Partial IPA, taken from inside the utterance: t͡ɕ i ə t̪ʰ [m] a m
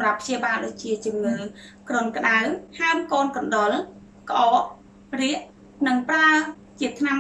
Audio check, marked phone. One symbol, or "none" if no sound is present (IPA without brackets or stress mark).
n